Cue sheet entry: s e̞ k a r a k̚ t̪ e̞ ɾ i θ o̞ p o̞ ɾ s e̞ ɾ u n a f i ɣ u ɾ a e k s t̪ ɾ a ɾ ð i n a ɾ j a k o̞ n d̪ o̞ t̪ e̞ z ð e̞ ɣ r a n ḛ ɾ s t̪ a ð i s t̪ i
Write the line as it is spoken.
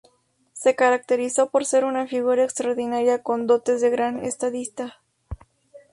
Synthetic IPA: s e̞ k a ɾ a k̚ t̪ e̞ ɾ i s o̞ p o̞ ɾ s e̞ ɾ u n a f i ɣ u ɾ a e k s t̪ ɾ a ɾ ð i n a ɾ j a k o̞ n d̪ o̞ t̪ e̞ z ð e̞ ɣ ɾ a n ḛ s t̪ a ð i s t̪ a